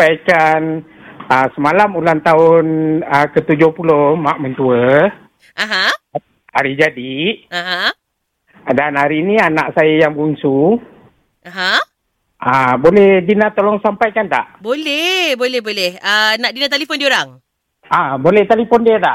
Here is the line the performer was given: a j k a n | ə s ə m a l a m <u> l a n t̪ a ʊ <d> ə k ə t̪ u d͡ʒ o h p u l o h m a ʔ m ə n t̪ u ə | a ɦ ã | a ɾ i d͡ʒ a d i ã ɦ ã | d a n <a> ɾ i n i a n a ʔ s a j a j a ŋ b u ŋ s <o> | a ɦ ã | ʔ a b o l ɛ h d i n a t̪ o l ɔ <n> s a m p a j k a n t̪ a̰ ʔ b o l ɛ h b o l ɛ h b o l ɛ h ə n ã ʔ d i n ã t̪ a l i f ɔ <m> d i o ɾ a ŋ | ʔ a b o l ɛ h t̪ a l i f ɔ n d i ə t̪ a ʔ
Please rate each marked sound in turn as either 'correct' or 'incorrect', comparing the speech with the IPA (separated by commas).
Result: correct, incorrect, correct, incorrect, incorrect, incorrect